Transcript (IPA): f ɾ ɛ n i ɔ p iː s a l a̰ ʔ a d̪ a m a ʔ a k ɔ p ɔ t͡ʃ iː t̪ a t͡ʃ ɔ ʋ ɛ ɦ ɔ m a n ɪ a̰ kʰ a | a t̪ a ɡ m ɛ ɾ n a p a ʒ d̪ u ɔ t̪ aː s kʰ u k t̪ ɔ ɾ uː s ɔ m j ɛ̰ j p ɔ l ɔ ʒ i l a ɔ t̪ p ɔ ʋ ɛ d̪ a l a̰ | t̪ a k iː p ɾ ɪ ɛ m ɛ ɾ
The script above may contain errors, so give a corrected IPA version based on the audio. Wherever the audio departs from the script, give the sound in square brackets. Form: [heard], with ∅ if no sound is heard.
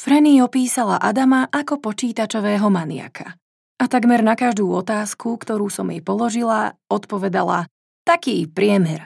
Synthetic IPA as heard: f ɾ ɛ n i ɔ p iː s a l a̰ ʔ a d̪ a m a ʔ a k ɔ p ɔ t͡ʃ iː t̪ a t͡ʃ ɔ ʋ [ɛː] ɦ ɔ m a n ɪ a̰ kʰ a | a t̪ a ɡ m ɛ ɾ n a [k] a ʒ d̪ [uː] ɔ t̪ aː s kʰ u k t̪ ɔ ɾ uː s ɔ m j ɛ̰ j p ɔ l ɔ ʒ i l a ɔ t̪ p ɔ ʋ ɛ d̪ a l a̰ | t̪ a k iː p ɾ ɪ ɛ m ɛ ɾ